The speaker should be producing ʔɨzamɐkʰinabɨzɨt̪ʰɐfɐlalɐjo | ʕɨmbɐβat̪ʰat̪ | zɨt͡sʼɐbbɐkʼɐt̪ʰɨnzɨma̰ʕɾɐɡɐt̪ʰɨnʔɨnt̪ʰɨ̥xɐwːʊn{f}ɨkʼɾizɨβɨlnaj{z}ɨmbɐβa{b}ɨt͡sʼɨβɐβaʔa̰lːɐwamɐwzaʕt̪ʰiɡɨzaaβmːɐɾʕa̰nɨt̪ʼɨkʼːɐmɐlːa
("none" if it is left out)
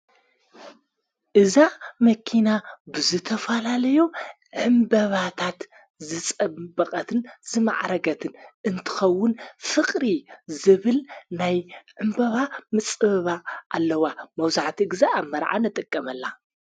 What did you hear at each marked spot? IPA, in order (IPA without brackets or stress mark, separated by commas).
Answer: f, ʕ, m